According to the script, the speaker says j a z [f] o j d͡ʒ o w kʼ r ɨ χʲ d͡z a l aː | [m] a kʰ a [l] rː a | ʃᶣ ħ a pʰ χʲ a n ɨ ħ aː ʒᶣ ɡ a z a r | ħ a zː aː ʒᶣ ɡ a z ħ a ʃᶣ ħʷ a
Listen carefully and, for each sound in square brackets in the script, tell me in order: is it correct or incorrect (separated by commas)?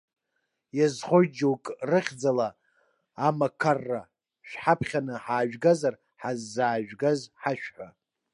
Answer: incorrect, correct, incorrect